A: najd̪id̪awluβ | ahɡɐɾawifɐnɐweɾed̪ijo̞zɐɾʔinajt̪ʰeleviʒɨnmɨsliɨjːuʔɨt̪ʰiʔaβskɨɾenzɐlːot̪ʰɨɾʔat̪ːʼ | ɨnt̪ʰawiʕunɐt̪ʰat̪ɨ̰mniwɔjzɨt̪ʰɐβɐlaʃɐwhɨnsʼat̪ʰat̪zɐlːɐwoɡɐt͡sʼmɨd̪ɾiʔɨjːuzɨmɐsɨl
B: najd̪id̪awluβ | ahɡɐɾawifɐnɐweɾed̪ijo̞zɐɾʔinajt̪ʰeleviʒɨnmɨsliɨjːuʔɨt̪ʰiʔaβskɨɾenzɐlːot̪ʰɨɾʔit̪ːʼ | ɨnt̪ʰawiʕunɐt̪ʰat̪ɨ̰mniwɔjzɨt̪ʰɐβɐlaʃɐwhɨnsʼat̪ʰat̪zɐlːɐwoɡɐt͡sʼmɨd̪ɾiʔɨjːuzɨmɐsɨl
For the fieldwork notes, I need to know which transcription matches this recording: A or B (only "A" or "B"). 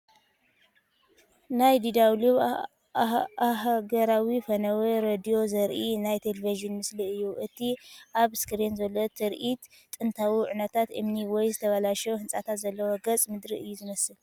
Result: B